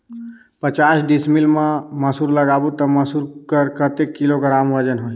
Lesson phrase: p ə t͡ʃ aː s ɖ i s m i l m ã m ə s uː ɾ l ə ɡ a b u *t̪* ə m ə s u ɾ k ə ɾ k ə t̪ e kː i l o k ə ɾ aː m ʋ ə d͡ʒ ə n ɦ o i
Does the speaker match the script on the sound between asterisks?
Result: yes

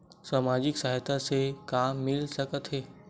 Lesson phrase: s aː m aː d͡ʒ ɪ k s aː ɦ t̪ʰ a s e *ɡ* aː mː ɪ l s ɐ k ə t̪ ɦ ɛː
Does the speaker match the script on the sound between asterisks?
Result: no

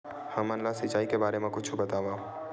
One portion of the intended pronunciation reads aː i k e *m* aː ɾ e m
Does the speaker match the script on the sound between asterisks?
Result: no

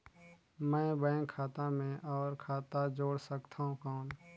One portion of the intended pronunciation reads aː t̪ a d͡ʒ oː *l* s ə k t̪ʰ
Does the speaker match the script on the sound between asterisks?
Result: no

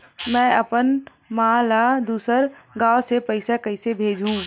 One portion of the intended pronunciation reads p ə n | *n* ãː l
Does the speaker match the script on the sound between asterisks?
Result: no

